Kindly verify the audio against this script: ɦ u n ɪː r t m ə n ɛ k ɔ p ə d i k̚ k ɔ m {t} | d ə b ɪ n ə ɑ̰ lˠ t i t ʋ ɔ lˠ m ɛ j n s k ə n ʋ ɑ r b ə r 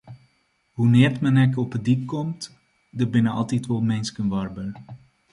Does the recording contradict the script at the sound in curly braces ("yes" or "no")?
no